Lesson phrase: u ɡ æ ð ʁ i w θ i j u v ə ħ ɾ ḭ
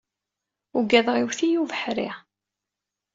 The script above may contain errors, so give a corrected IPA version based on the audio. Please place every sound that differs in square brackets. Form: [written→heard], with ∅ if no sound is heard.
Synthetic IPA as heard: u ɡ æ ð ʁ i w θ i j u v ə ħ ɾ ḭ